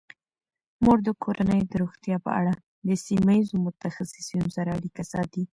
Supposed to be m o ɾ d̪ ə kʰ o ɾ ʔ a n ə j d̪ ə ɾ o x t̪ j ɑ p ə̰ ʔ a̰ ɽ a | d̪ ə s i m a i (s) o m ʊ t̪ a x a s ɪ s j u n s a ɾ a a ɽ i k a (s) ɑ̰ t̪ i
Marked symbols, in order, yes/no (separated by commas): no, yes